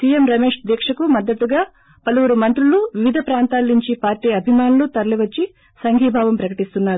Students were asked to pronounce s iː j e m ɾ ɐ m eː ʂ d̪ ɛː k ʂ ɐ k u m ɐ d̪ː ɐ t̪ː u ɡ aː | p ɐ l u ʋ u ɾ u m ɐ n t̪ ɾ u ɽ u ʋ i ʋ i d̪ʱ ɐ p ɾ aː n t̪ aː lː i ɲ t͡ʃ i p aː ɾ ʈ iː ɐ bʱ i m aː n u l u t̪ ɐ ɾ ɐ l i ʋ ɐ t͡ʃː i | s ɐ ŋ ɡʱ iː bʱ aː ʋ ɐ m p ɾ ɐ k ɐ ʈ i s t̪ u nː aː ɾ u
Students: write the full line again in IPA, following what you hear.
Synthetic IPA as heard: s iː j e m ɾ ɐ m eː ʂ d̪ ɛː k ʂ ɐ k u m ɐ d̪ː ɐ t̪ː u ɡ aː | p ɐ l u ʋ u ɾ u m ɐ n t̪ ɾ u l u ʋ i ʋ i d̪ʱ ɐ p ɾ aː n t̪ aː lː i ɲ t͡ʃ i p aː ɾ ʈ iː ɐ bʱ i m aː n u l u t̪ ɐ ɾ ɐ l i ʋ ɐ t͡ʃː i | s ɐ ŋ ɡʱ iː bʱ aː ʋ ɐ m p ɾ ɐ k ɐ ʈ i s t̪ u nː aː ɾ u